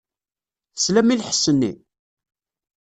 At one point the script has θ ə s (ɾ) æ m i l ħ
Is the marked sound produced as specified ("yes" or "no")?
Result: no